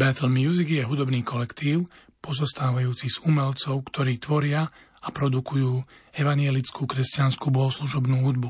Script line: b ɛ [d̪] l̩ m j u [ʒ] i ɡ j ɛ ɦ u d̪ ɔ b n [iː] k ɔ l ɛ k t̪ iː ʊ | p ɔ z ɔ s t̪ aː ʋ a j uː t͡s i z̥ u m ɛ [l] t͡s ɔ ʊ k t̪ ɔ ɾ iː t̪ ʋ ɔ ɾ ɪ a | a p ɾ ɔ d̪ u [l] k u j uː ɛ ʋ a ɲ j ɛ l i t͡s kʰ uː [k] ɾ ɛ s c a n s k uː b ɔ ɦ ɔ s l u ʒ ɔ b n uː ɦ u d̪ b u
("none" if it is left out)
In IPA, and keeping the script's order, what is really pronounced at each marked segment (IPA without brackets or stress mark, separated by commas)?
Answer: t̪, z, iː, l, none, k